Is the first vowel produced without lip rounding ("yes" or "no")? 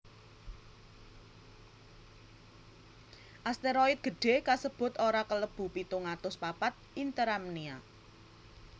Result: yes